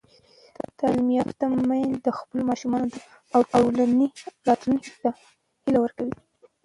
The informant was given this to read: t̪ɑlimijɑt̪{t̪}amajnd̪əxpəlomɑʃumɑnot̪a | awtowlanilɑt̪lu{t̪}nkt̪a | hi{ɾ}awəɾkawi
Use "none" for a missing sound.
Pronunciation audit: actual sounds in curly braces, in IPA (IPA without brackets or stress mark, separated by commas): t̪, none, l